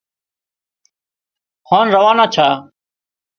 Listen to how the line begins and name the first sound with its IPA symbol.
h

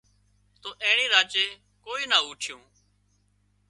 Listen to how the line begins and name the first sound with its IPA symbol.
t̪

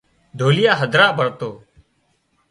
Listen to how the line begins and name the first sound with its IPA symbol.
d̪ʱ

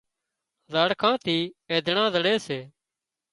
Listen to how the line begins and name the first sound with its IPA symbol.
z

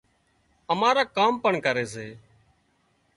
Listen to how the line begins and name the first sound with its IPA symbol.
ə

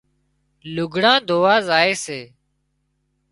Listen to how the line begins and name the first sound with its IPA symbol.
l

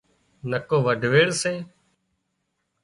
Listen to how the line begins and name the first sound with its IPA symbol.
n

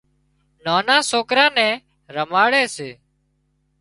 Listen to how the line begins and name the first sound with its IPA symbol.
n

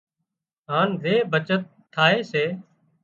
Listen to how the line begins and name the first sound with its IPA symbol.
ɦ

